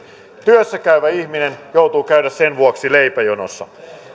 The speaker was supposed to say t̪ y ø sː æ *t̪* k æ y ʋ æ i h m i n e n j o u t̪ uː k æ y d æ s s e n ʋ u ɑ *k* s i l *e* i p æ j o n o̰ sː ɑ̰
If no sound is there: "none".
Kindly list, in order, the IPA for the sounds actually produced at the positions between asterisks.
none, k, e

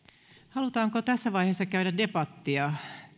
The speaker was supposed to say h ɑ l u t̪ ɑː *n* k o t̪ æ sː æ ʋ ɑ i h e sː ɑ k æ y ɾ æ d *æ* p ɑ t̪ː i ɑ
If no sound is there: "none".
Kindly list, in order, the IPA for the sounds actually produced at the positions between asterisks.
ŋ, e

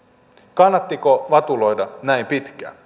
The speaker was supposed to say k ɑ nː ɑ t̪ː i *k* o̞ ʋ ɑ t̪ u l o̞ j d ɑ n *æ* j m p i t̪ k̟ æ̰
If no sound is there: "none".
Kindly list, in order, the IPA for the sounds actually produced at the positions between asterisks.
k, æ

